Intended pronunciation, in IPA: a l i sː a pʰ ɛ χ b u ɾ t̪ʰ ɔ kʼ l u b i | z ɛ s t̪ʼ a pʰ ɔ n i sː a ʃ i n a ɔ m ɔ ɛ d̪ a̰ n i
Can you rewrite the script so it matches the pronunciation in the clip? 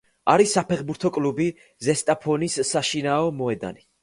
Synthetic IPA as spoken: a ɾ i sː a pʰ ɛ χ b u ɾ t̪ʰ ɔ kʼ l u b i | z ɛ s t̪ʼ a pʰ ɔ n i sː a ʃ i n a ɔ m ɔ ɛ d̪ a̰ n i